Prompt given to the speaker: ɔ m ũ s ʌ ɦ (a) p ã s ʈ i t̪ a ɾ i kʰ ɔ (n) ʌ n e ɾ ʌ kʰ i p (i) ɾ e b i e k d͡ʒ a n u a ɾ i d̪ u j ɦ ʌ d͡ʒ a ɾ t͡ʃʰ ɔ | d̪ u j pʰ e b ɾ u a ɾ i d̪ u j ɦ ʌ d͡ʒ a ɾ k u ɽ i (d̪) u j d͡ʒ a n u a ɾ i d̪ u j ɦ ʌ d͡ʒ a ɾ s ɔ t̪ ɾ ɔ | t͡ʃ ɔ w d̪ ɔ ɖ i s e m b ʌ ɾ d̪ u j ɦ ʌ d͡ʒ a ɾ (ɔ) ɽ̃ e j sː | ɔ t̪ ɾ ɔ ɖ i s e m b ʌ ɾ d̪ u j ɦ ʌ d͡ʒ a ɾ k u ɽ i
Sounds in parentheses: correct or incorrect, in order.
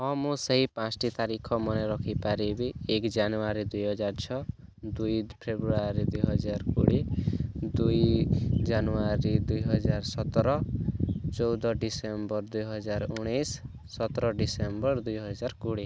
incorrect, incorrect, incorrect, correct, incorrect

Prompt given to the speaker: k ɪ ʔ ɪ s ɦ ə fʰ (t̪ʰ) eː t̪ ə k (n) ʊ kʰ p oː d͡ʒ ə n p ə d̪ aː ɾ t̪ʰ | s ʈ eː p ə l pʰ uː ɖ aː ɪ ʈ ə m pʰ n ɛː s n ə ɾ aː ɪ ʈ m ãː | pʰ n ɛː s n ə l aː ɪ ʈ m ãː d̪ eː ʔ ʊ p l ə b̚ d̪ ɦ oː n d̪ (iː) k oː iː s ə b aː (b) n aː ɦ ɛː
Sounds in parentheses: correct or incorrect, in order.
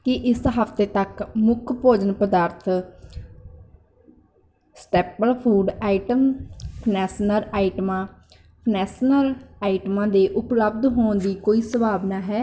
incorrect, incorrect, correct, correct

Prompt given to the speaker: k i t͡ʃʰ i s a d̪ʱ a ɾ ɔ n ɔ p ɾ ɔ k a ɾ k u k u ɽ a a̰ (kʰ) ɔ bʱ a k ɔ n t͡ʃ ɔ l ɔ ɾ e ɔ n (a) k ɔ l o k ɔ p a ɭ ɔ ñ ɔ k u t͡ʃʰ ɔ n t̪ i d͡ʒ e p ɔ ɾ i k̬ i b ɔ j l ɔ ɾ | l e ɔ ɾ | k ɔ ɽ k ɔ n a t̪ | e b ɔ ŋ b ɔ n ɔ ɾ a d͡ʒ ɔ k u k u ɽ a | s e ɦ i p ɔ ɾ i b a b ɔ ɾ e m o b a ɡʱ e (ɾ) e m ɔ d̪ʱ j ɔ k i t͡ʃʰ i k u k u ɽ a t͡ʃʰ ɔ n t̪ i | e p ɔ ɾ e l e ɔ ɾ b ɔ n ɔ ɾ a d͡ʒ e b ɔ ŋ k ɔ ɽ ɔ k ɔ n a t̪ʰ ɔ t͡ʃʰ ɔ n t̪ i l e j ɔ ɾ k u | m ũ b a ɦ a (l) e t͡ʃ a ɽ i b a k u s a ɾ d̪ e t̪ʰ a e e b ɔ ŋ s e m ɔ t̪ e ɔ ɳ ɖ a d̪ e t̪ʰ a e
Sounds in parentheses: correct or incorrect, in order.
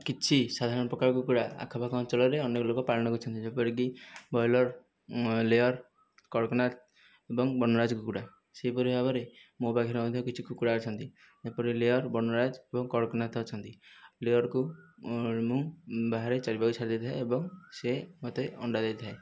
correct, incorrect, correct, incorrect

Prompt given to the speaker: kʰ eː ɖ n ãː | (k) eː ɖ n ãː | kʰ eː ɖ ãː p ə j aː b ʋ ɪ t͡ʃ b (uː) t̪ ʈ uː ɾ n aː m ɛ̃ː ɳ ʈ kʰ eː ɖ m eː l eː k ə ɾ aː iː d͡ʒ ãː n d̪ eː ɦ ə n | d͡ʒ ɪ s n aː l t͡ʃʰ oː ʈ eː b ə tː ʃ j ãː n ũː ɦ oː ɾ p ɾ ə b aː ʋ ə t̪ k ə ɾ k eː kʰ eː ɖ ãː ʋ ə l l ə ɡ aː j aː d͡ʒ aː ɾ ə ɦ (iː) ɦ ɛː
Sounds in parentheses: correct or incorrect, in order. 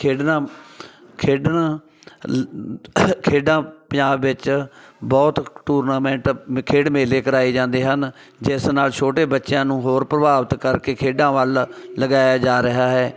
incorrect, incorrect, incorrect

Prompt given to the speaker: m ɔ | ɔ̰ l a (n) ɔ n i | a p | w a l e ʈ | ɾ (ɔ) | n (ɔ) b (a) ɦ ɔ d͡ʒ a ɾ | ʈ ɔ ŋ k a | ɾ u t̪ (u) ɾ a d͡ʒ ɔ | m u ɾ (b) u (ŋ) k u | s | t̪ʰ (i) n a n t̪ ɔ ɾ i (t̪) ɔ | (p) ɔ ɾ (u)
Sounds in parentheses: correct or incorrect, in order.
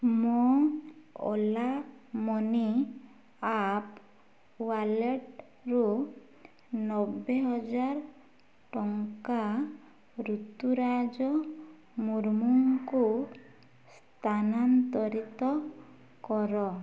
incorrect, incorrect, correct, incorrect, correct, incorrect, correct, incorrect, correct, incorrect, incorrect

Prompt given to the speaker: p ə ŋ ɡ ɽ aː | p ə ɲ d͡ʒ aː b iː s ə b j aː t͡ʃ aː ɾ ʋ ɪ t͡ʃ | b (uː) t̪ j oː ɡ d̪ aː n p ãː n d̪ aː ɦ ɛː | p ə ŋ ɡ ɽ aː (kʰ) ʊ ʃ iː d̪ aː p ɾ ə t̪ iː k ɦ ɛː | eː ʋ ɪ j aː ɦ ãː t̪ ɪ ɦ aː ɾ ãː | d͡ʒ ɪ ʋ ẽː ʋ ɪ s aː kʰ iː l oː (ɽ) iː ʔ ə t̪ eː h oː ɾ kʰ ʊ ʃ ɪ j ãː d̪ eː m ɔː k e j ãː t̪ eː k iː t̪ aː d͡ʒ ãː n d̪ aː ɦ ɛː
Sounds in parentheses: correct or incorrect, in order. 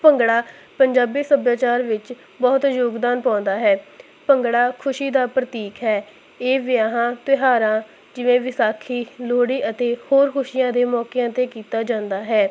incorrect, correct, correct

